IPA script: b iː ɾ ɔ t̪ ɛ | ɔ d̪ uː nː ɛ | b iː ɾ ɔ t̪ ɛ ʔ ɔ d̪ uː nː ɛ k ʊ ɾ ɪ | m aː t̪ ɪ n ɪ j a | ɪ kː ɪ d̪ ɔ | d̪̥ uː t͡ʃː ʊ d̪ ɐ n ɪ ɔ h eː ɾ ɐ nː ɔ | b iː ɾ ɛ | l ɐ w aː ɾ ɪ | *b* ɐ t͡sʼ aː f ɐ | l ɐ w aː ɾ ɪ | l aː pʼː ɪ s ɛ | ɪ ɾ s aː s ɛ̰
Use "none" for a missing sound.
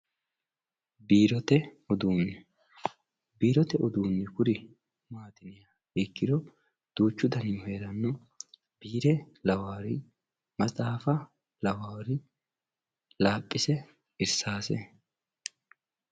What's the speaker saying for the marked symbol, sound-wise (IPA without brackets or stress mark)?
m